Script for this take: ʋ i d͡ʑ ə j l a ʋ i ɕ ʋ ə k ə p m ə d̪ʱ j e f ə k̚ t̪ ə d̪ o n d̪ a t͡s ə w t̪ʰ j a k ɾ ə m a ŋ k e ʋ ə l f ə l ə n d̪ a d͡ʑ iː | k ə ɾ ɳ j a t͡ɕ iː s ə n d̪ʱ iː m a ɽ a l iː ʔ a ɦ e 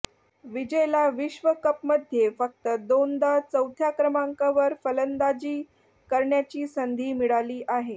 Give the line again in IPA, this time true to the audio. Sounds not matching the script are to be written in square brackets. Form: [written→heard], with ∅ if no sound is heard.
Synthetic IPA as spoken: ʋ i d͡ʑ ə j l a ʋ i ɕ ʋ ə k ə p m ə d̪ʱ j e f ə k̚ t̪ ə d̪ o n d̪ a t͡s ə w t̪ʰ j a k ɾ ə m a ŋ k [e→a] ʋ ə [l→ɾ] f ə l ə n d̪ a d͡ʑ iː | k ə ɾ ɳ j a t͡ɕ iː s ə n d̪ʱ iː m [a→i] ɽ a l iː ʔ a ɦ e